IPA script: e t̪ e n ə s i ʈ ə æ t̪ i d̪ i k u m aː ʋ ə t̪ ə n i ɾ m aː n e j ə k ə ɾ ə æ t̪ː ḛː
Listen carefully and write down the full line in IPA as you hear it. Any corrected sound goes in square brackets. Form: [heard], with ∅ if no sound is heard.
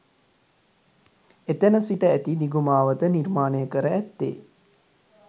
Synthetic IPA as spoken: e t̪ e n ə s i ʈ ə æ t̪ i d̪ i [ɡ] u m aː ʋ ə t̪ ə n i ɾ m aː n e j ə k ə ɾ ə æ t̪ː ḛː

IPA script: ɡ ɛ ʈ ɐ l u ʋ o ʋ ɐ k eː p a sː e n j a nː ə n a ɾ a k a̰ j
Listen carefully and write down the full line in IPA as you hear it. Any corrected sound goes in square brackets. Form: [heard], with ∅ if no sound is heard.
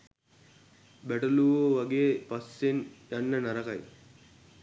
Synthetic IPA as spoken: [b] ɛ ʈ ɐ l u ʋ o ʋ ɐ [ɡ] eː p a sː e n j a nː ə n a ɾ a k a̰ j

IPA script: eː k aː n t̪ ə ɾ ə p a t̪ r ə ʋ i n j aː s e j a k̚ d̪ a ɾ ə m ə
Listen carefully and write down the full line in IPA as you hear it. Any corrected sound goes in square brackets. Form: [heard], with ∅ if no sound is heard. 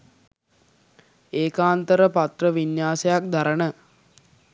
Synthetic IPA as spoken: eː k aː n t̪ ə ɾ ə p a t̪ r ə ʋ i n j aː s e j a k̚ d̪ a ɾ ə [n] ə

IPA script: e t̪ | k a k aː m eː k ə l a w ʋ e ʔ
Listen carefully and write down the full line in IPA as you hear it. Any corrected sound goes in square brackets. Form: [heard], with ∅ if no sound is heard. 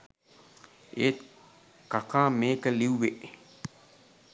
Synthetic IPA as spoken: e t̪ | k a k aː m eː k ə l [i] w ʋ e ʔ

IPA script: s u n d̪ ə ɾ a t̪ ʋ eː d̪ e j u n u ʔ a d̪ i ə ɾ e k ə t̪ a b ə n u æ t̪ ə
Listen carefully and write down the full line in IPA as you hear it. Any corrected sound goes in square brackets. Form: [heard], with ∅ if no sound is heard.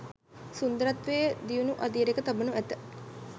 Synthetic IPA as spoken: s u n d̪ ə ɾ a t̪ ʋ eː d̪ [i] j u n u ʔ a d̪ i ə ɾ e k ə t̪ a b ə n u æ t̪ ə

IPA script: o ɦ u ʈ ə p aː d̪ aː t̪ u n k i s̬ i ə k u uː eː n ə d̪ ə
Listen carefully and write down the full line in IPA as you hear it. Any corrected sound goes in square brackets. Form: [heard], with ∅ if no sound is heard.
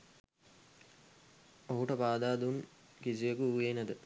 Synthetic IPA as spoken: o ɦ u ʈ ə p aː d̪ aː [d̪] u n k i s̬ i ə k u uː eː n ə d̪ ə

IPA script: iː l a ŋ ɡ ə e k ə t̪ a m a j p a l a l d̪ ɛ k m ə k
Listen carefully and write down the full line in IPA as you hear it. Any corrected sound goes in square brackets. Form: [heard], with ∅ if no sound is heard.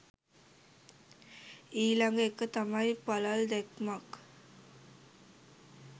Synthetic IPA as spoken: iː l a ŋ ɡ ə e k ə t̪ a m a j p a l a l d̪ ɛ k m [a] k

